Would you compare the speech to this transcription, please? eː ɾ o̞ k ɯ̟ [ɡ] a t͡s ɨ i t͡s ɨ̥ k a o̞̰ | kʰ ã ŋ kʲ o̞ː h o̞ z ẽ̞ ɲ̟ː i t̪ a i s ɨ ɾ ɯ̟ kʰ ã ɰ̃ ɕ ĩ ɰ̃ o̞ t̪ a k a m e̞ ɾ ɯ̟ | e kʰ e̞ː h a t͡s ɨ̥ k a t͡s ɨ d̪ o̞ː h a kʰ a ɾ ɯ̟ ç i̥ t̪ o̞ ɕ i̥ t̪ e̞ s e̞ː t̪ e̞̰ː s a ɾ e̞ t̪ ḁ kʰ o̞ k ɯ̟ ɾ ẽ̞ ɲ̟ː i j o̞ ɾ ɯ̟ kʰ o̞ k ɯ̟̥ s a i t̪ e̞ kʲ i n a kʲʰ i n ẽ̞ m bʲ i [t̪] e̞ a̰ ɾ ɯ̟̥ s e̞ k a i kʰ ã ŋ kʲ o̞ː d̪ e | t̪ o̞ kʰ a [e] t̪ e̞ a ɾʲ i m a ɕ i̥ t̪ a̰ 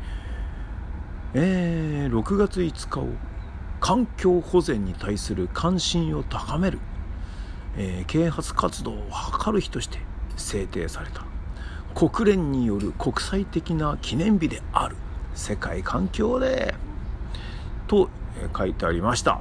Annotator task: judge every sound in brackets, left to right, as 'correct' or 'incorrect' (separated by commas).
correct, incorrect, incorrect